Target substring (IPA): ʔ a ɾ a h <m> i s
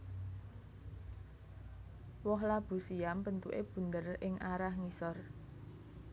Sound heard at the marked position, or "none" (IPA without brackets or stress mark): ŋ